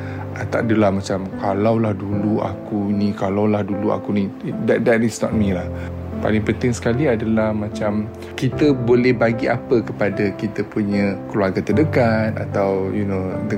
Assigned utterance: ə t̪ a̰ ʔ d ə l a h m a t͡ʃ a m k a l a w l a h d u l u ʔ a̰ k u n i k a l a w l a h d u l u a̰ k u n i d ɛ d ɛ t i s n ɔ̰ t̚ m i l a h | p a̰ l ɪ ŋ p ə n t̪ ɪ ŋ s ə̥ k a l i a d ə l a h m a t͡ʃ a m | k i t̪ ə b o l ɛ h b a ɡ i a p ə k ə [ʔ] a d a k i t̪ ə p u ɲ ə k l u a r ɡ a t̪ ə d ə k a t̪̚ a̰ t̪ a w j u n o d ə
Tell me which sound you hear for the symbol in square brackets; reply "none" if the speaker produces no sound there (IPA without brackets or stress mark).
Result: p